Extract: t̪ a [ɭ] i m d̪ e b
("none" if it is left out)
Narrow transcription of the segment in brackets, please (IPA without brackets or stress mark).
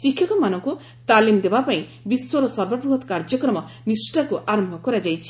l